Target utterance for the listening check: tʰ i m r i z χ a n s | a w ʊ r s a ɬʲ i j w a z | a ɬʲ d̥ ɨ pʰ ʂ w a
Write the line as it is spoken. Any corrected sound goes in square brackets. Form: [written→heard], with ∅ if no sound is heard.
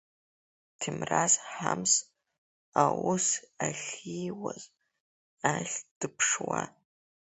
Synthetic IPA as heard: tʰ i m r [i→a] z [χ→ħ] a [n→m] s | a w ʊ [r→∅] s a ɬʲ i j w a z | a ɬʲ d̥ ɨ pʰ ʂ w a